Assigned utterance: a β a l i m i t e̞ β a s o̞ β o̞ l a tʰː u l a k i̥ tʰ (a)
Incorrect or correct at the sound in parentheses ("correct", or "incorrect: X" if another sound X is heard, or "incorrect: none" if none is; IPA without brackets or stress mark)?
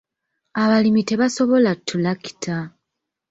correct